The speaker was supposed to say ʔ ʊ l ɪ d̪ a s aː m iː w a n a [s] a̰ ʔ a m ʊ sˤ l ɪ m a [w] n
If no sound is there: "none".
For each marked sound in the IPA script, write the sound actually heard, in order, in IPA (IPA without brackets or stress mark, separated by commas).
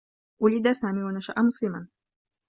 ʃ, none